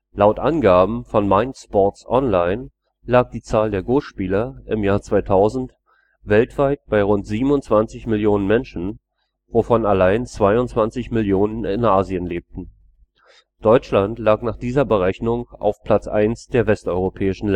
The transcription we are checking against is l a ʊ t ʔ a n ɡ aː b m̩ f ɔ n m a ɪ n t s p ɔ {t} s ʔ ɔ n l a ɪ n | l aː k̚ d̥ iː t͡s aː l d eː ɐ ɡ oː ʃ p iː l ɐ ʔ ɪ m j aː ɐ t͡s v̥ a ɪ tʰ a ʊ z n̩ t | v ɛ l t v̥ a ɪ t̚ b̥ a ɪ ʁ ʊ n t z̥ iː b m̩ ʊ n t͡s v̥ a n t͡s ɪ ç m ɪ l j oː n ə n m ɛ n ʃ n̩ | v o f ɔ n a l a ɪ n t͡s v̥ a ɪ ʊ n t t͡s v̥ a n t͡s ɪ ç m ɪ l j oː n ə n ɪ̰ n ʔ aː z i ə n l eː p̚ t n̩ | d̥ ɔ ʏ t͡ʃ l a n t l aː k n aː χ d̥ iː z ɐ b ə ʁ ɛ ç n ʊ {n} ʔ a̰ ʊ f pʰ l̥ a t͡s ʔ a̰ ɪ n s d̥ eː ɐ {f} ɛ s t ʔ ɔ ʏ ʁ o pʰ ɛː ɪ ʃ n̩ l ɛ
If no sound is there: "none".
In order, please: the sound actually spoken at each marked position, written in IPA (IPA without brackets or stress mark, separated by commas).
t, ŋ, v